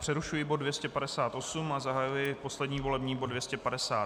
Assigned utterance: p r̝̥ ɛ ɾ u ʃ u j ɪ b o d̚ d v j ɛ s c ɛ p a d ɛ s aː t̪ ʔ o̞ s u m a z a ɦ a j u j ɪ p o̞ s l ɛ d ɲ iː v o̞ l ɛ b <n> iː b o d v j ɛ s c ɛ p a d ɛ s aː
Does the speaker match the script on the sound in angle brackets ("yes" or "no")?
no